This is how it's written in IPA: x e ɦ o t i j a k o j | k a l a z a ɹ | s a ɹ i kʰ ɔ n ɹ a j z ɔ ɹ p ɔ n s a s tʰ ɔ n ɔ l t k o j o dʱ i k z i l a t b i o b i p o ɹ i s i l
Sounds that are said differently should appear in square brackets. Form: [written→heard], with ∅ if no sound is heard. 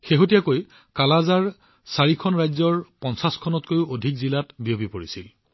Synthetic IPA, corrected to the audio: x e ɦ o t i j a k o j | k a l a z a ɹ | s a ɹ i kʰ ɔ n ɹ a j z ɔ ɹ p ɔ n s a s [tʰ→kʰ] ɔ n ɔ [l→∅] t k o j o dʱ i k z i l a t b i o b i p o ɹ i s i l